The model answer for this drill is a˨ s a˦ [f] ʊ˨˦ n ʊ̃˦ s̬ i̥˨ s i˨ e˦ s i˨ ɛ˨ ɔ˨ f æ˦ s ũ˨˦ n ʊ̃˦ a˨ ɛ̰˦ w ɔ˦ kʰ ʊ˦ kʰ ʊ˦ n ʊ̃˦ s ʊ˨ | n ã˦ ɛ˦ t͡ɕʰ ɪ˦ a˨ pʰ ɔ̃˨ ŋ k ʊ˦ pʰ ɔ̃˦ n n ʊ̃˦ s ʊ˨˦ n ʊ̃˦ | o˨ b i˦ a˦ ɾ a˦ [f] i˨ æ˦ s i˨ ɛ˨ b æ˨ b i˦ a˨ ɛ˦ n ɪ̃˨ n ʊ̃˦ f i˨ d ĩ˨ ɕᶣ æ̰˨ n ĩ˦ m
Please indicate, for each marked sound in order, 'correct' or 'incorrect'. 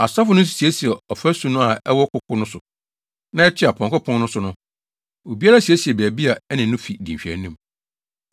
correct, incorrect: s

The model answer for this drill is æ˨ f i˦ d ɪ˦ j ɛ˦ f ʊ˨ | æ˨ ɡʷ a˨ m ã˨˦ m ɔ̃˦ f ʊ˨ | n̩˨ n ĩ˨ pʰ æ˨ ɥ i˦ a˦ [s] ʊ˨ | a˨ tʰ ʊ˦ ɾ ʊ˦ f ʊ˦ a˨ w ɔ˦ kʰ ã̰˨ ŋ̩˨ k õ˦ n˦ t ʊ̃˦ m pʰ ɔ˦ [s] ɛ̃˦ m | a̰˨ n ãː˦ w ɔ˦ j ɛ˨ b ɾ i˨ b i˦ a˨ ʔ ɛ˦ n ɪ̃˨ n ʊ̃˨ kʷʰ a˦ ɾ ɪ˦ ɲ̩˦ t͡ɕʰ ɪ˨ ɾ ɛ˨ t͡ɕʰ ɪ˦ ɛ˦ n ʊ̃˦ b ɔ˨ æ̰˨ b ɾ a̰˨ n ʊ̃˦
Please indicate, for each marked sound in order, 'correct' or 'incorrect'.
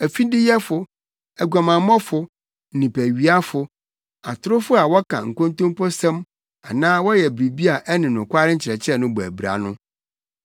incorrect: f, correct

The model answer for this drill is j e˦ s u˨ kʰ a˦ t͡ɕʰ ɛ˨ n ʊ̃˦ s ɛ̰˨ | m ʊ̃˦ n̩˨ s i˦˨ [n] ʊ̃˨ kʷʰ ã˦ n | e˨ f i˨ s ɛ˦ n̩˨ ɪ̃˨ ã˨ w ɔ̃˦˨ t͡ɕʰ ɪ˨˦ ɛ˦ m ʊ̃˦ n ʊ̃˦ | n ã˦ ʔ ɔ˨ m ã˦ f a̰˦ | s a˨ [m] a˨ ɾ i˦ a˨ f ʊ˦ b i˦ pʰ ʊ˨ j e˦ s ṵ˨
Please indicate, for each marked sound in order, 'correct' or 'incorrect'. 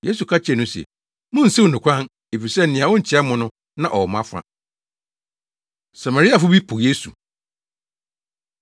correct, correct

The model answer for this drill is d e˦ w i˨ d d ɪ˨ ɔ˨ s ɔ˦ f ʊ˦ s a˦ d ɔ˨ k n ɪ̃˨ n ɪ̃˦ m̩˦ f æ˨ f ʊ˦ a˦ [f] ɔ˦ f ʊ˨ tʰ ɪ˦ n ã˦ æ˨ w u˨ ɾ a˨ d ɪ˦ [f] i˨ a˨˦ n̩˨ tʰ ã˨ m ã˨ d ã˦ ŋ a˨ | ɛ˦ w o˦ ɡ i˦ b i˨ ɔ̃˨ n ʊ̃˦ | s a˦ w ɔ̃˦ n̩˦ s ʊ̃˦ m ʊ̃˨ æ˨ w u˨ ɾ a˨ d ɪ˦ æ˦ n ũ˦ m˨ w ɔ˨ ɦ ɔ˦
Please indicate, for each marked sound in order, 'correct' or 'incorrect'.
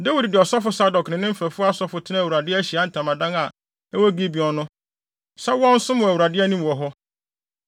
incorrect: s, incorrect: ɕ

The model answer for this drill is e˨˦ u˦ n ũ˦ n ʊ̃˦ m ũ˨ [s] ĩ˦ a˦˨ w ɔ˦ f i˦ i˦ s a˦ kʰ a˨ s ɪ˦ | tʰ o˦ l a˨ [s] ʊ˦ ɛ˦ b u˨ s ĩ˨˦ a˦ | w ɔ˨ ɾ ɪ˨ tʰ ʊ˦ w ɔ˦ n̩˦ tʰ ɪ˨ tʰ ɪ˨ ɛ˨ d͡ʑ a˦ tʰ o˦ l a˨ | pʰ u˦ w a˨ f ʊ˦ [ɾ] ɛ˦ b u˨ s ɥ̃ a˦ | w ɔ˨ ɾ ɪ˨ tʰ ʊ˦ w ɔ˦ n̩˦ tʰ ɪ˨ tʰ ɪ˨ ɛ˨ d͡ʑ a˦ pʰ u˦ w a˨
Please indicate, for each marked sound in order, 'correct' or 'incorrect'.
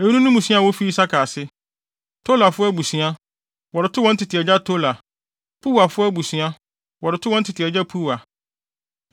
correct, incorrect: f, incorrect: none

